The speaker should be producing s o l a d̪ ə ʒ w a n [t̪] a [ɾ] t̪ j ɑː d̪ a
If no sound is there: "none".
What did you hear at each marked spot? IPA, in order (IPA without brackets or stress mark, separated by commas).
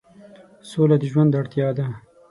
d̪, ɽ